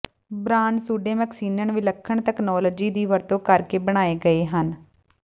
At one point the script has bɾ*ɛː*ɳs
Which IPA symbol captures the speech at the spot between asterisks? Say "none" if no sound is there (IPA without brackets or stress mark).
aː